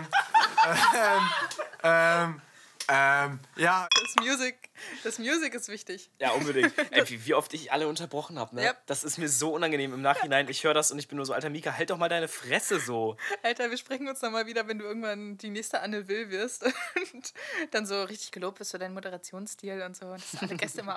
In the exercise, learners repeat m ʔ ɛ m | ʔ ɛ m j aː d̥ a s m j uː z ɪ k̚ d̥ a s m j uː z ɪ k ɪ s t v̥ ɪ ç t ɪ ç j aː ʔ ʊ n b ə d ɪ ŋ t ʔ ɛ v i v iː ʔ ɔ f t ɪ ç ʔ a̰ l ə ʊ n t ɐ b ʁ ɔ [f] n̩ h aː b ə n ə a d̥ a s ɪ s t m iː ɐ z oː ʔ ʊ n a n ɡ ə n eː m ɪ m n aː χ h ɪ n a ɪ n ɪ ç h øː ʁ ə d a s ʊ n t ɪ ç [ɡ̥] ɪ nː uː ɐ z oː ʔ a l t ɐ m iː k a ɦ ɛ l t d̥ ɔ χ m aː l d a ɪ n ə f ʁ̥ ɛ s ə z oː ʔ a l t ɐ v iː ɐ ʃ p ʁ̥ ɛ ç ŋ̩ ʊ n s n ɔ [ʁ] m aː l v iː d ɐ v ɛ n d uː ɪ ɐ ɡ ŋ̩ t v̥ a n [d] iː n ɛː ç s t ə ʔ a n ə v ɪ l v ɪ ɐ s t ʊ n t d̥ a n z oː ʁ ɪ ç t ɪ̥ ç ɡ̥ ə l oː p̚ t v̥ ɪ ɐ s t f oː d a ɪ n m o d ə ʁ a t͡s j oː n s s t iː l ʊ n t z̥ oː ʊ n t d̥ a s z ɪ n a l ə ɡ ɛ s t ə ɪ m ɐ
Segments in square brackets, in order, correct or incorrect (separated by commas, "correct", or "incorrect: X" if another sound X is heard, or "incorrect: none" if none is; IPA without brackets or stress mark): incorrect: χ, incorrect: b̥, incorrect: χ, correct